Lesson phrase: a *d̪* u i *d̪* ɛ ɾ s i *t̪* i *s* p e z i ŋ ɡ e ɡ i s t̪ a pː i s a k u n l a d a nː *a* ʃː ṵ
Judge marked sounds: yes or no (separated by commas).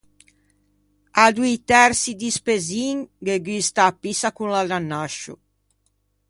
yes, no, no, yes, yes